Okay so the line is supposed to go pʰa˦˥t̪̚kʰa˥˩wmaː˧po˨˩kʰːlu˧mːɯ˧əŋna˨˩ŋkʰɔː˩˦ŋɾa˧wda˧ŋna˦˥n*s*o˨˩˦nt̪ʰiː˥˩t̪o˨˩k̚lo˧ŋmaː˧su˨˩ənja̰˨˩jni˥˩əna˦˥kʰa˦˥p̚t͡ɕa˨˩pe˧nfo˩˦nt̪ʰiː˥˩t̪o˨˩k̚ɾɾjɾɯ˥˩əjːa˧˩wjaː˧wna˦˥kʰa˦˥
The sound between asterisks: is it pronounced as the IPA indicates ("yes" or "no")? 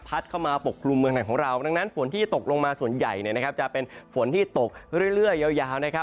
no